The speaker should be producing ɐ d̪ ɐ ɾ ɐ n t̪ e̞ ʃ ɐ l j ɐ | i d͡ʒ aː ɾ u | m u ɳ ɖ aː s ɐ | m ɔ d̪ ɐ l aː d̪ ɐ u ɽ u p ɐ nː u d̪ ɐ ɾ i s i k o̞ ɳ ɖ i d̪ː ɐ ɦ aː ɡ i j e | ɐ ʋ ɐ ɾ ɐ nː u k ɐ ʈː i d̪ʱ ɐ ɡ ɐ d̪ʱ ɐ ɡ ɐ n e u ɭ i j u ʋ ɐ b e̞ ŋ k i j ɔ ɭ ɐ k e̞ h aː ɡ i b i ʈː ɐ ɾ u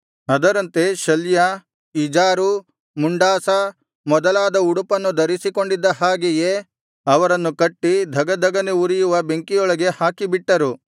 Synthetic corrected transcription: ɐ d̪ ɐ ɾ ɐ n t̪ e̞ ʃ ɐ l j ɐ | i d͡ʒ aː ɾ u | m u ɳ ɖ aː s ɐ | m ɔ d̪ ɐ l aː d̪ ɐ u ɽ u p ɐ nː u d̪ ɐ ɾ i s i k o̞ ɳ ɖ i d̪ː ɐ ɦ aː ɡ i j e | ɐ ʋ ɐ ɾ ɐ nː u k ɐ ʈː i d̪ʱ ɐ ɡ ɐ d̪ʱ ɐ ɡ ɐ n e u ɾ i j u ʋ ɐ b e̞ ŋ k i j ɔ ɭ ɐ ɡ e̞ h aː k i b i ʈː ɐ ɾ u